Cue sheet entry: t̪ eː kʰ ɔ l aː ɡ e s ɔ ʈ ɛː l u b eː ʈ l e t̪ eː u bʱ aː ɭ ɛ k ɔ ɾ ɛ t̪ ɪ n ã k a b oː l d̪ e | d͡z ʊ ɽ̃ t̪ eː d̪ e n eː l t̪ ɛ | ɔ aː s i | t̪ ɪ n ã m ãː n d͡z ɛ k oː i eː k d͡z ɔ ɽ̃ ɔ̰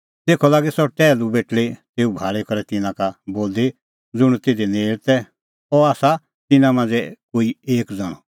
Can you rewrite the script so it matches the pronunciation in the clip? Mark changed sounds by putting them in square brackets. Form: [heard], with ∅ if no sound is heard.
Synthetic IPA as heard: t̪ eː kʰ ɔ l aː ɡ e s ɔ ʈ ɛː l u b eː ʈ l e t̪ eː u bʱ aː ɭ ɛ k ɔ ɾ ɛ t̪ ɪ n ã k a b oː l d̪ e | d͡z ʊ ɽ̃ t̪ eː d̪ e n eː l t̪ ɛ | ɔ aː s [a] | t̪ ɪ n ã m ãː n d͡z ɛ k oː i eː k d͡z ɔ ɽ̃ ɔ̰